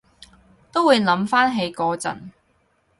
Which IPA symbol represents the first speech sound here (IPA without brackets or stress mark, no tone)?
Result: t̪